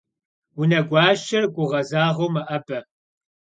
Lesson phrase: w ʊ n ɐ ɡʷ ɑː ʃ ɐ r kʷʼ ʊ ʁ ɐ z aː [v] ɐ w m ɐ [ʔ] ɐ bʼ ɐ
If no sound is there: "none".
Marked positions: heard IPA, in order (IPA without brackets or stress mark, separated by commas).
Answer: ʁ, ʔ